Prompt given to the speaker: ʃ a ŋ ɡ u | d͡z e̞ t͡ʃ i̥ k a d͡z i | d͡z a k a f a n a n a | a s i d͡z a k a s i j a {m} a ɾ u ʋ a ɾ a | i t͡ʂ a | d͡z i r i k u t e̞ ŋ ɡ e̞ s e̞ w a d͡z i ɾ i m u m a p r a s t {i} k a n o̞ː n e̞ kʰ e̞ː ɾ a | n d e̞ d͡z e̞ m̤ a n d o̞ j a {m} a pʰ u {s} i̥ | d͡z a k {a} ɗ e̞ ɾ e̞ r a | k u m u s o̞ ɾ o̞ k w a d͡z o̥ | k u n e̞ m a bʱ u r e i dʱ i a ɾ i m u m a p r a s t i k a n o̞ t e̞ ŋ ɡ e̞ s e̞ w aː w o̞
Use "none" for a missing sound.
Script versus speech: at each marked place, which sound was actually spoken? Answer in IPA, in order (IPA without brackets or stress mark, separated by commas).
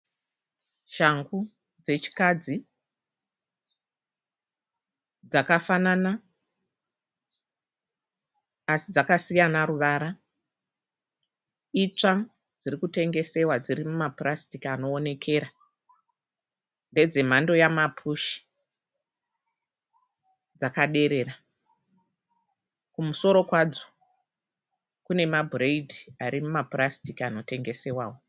n, i, m, ʃ, a